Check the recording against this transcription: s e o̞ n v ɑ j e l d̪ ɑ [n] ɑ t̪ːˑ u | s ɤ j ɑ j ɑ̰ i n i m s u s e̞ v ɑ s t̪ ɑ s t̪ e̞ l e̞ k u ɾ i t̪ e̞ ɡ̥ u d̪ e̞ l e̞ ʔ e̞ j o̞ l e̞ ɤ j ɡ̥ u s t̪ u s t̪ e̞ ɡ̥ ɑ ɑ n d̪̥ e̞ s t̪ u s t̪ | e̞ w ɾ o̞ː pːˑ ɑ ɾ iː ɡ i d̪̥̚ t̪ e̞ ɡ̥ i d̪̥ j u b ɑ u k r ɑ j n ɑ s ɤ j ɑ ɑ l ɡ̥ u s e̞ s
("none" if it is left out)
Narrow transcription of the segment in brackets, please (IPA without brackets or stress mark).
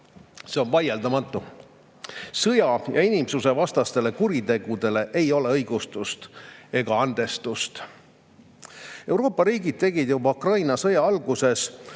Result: m